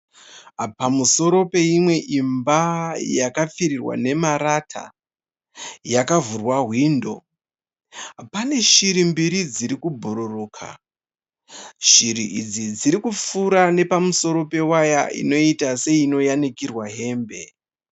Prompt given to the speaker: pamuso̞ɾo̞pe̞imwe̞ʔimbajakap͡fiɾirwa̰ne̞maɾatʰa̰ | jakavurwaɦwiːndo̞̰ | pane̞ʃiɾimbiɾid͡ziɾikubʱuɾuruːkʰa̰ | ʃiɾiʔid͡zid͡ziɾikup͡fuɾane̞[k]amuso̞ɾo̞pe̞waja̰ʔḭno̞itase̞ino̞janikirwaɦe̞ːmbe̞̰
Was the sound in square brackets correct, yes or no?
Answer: no